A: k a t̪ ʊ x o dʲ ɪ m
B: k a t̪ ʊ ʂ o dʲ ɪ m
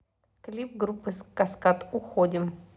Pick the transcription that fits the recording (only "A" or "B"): A